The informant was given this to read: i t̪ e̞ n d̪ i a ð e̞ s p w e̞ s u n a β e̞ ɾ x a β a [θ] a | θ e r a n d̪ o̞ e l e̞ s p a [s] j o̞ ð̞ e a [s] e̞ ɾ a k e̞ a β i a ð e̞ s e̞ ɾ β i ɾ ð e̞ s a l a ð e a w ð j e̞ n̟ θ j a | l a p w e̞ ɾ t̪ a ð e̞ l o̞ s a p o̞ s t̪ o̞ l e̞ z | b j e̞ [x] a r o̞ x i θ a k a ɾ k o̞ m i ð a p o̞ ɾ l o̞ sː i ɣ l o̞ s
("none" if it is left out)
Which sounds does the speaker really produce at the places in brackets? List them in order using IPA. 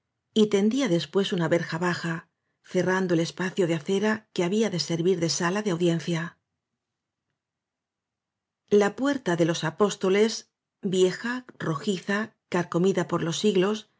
x, θ, θ, x

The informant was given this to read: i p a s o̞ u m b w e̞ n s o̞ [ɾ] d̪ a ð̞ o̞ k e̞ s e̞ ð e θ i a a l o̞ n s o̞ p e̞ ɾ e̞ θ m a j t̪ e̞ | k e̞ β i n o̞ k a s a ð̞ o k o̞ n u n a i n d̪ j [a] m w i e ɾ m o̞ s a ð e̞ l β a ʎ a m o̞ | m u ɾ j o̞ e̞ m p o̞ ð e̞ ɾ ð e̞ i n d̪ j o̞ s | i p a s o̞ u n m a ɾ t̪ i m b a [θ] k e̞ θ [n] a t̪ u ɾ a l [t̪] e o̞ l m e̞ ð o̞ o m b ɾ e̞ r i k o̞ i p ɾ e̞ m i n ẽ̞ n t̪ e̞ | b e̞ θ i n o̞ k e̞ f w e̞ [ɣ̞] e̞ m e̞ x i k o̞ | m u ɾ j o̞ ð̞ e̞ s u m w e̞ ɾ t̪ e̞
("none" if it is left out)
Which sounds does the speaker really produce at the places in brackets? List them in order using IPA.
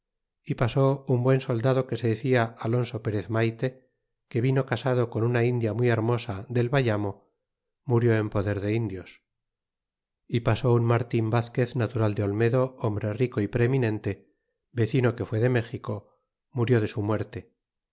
l, a, θ, n, d̪, ð̞

